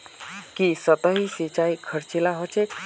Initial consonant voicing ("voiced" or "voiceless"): voiceless